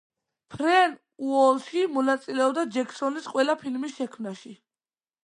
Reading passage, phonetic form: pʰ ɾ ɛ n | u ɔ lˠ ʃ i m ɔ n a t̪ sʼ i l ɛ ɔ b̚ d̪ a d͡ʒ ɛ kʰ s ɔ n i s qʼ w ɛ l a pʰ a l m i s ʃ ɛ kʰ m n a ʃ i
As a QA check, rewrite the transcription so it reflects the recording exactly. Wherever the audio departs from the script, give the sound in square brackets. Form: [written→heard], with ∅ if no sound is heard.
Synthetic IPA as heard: pʰ ɾ ɛ n | u ɔ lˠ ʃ i m ɔ n a t̪ sʼ i l ɛ ɔ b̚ d̪ a d͡ʒ ɛ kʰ s ɔ n i s qʼ w ɛ l a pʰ [a→i] l m i s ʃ ɛ kʰ m n a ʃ i